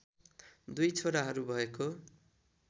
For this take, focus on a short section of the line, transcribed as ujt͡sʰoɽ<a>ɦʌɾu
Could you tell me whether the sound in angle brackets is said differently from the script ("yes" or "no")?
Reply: no